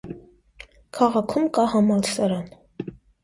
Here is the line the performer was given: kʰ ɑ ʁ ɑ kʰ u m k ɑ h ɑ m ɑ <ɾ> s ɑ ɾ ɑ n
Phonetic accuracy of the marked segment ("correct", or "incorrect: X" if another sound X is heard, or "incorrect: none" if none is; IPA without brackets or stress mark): incorrect: l